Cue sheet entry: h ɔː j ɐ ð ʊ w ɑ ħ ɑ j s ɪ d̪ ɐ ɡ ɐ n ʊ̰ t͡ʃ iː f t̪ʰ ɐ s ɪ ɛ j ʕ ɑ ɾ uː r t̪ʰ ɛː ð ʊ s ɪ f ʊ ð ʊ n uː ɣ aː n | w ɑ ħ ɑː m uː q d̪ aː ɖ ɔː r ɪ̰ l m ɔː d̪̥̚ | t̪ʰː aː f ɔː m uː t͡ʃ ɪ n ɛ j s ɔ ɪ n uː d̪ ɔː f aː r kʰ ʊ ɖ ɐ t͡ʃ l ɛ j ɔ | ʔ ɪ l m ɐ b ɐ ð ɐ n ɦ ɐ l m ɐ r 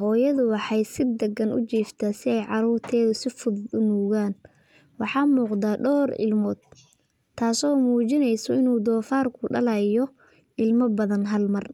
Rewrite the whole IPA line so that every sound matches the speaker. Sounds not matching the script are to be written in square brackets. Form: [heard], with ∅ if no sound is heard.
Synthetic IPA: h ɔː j ɐ ð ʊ w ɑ ħ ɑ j s ɪ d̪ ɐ ɡ ɐ n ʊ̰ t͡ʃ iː f t̪ʰ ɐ s ɪ ɛ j ʕ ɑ ɾ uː r t̪ʰ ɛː ð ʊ s ɪ f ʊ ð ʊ n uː ɣ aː n | w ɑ ħ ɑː m uː q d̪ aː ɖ ɔː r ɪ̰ l m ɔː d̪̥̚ | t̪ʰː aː [s] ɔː m uː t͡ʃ ɪ n ɛ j s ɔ ɪ n uː d̪ ɔː f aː r kʰ ʊ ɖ ɐ [∅] l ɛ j ɔ | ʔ ɪ l m ɐ b ɐ ð ɐ n ɦ ɐ l m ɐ r